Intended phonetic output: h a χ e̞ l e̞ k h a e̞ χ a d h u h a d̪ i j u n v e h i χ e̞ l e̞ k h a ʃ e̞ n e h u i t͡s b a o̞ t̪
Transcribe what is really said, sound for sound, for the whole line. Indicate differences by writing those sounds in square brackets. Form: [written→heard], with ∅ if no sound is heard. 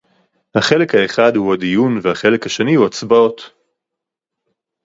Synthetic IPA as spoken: h a χ e̞ l e̞ k h a e̞ χ a d h u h a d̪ i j u n v e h [i→a] χ e̞ l e̞ k h a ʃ e̞ n [e→i] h u [i→a] t͡s b a o̞ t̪